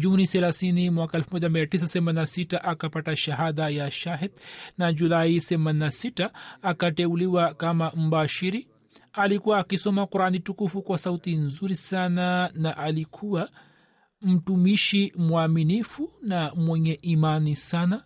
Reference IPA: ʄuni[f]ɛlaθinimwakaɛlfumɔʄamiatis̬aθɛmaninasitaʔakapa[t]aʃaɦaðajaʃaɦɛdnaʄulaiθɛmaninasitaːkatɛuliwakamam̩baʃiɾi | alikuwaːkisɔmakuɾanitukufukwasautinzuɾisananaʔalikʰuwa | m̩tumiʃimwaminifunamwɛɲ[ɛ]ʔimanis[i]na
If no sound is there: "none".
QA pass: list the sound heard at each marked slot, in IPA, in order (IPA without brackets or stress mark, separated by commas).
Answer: θ, t, ɛ, a